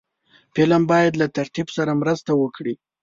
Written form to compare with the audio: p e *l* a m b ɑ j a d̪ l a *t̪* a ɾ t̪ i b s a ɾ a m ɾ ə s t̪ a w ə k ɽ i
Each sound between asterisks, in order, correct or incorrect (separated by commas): correct, correct